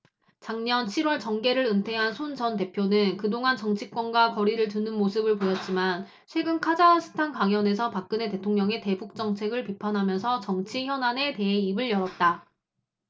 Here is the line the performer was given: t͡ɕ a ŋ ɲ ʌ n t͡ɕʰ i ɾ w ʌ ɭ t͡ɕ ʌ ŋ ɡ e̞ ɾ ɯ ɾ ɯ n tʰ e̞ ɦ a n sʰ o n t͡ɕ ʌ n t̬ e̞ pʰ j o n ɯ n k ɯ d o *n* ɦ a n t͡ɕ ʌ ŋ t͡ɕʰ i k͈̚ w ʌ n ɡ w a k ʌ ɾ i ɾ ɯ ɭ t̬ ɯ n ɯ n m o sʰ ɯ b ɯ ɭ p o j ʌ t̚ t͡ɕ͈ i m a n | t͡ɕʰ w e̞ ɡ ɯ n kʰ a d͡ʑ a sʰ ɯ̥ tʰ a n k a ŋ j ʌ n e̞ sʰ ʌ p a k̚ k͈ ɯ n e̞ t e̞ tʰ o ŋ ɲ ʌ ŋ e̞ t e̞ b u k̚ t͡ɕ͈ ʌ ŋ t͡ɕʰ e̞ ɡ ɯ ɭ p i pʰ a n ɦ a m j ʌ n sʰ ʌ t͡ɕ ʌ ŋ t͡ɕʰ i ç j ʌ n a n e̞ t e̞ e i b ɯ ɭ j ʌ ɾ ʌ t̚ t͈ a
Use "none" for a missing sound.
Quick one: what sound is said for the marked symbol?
ŋ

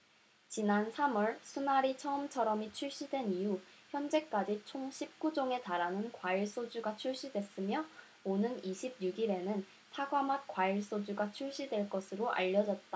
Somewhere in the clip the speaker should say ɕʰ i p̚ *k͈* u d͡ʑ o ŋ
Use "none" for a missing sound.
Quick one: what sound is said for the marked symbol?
k͈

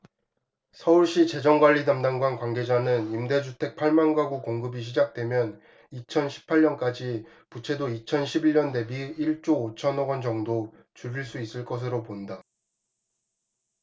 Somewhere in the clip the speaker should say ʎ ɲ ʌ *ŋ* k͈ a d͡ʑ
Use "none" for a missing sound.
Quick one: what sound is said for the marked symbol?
n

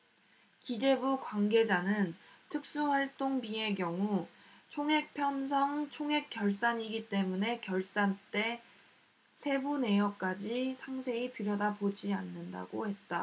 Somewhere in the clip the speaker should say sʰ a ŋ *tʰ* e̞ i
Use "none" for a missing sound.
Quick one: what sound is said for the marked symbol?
sʰ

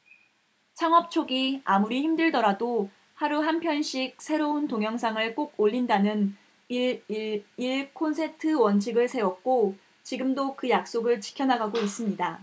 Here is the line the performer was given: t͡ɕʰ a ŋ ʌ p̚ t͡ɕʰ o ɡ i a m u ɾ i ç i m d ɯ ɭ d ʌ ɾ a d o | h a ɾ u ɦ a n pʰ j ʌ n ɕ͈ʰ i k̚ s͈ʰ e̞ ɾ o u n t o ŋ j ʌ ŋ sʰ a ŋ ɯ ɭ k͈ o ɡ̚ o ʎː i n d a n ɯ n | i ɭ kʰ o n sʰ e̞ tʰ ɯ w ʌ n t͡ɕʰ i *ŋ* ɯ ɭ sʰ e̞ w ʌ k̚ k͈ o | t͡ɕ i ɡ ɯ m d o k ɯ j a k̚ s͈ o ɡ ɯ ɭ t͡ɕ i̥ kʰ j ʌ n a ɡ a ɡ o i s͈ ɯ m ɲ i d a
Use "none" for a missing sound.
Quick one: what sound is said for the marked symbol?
ɡ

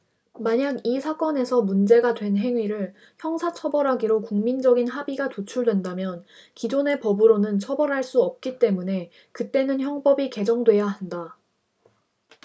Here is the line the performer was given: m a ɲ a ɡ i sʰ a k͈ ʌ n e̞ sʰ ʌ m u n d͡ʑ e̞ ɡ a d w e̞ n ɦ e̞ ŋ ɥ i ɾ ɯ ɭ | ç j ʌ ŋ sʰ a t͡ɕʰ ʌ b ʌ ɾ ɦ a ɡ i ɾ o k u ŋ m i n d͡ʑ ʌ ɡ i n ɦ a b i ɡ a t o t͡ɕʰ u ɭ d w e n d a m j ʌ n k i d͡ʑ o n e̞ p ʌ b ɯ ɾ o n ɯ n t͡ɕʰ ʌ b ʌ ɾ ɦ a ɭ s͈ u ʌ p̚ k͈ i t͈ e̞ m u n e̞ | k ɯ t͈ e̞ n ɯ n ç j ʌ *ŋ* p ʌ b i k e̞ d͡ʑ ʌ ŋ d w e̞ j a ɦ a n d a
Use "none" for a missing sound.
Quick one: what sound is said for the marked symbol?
ŋ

